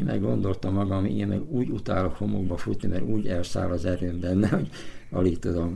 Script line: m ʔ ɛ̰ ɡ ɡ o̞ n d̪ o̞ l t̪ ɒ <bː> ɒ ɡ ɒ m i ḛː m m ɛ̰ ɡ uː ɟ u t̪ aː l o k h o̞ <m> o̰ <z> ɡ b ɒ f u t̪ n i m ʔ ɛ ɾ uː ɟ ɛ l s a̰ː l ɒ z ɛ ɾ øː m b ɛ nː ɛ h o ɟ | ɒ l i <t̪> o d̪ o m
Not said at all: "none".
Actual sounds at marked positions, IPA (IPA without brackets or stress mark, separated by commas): mː, m, none, t̪